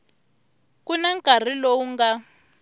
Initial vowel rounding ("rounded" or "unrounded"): rounded